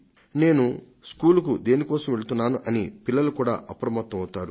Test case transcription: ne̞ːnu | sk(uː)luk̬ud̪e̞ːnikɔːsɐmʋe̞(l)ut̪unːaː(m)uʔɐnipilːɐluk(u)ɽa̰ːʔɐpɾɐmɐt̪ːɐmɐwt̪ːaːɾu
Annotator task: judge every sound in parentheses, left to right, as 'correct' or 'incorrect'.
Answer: correct, incorrect, incorrect, incorrect

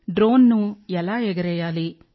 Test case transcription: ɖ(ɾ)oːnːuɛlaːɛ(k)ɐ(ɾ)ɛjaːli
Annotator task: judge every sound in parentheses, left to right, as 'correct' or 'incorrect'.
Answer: correct, incorrect, correct

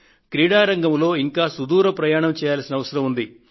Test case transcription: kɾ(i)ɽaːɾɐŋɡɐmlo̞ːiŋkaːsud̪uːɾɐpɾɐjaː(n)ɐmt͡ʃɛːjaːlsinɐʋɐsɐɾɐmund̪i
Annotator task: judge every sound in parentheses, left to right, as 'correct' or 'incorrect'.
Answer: incorrect, incorrect

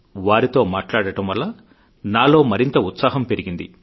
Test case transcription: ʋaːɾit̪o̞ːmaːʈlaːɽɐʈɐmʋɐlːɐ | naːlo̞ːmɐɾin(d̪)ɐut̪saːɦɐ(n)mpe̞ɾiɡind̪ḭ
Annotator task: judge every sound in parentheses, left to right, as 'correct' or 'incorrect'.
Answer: incorrect, incorrect

